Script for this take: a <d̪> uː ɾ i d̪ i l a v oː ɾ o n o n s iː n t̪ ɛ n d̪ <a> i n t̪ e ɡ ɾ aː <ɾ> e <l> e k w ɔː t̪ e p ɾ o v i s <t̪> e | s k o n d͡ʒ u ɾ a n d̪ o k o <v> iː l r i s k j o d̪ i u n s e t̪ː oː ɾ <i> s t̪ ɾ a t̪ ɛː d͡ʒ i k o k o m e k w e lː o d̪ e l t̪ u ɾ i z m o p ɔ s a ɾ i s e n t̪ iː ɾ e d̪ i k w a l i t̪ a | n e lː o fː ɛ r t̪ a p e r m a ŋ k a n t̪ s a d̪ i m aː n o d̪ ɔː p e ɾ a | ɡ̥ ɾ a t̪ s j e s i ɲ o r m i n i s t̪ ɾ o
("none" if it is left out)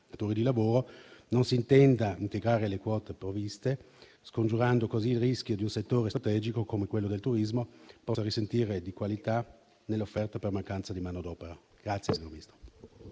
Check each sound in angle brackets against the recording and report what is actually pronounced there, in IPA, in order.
t̪, a, ɾ, l, t̪, z, e

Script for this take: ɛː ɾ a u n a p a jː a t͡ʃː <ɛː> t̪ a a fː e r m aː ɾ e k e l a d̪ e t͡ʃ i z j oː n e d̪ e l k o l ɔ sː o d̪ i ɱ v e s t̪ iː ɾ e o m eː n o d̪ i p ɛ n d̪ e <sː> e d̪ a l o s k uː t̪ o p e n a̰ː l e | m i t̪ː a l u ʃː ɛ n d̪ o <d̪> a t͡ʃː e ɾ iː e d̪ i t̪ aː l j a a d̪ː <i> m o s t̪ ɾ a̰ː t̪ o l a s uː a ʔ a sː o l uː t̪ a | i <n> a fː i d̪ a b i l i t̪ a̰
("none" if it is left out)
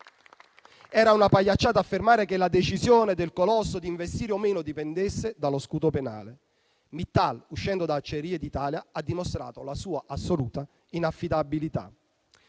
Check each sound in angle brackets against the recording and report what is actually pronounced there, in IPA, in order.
aː, sː, d̪, i, n

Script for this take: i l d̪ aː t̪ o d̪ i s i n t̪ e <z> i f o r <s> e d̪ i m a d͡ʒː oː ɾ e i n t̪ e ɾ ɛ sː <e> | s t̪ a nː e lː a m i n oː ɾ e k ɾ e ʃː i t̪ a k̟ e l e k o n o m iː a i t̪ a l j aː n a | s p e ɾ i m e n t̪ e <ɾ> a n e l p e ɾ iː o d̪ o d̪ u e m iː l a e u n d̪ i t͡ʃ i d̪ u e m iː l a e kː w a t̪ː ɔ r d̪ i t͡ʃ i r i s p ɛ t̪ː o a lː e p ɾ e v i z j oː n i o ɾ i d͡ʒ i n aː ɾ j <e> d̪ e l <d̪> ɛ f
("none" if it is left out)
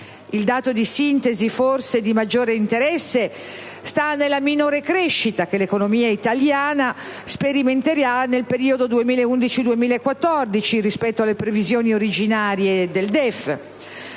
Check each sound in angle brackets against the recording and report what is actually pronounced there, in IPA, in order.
z, s, e, ɾ, e, d̪

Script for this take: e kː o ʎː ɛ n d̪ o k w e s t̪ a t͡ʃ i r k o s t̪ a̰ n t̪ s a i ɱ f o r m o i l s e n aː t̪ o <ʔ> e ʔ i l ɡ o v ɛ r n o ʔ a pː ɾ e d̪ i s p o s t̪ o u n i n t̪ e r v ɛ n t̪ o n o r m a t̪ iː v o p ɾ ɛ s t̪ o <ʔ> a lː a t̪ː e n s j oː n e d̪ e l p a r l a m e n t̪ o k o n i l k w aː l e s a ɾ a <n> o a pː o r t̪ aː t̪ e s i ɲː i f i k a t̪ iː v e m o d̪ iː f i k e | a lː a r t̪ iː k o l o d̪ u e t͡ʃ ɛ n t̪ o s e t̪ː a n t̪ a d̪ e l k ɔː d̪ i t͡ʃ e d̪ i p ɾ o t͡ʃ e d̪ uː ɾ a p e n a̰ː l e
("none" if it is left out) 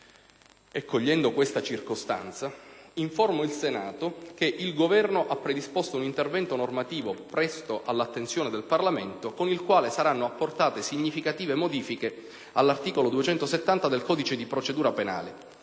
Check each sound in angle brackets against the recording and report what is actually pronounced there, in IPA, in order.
k, ʔ, nː

